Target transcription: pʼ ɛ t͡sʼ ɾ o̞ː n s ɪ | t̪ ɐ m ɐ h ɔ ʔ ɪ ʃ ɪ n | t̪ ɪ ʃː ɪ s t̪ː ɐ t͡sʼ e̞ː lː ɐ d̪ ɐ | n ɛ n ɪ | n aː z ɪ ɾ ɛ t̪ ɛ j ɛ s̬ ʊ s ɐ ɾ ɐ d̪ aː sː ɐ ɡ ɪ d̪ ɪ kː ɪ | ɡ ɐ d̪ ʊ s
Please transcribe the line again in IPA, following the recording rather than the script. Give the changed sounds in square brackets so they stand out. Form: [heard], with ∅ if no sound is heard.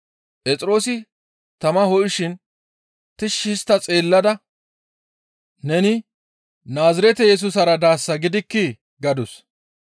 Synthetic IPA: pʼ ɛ t͡sʼ ɾ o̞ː [∅] s ɪ | t̪ ɐ m ɐ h ɔ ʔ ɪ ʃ ɪ n | t̪ ɪ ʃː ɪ s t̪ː ɐ t͡sʼ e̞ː lː ɐ d̪ ɐ | n ɛ n ɪ | n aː z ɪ ɾ ɛ t̪ ɛ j ɛ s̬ ʊ s ɐ ɾ ɐ d̪ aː sː ɐ ɡ ɪ d̪ ɪ kː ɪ | ɡ ɐ d̪ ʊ s